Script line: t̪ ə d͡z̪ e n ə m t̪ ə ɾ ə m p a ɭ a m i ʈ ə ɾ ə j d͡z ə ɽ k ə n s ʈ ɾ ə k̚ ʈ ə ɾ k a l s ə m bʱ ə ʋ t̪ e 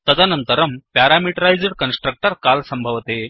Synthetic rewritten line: t̪ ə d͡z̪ a n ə n t̪ ə ɾ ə m p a ɾ a m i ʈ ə ɾ a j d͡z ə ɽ k ə n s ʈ ɾ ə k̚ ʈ ə ɾ k a l s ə m bʱ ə ʋ t̪ e